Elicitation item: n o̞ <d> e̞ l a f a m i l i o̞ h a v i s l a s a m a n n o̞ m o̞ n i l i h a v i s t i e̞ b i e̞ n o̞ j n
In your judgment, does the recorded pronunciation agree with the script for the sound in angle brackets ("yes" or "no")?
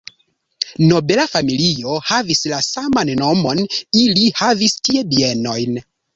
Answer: no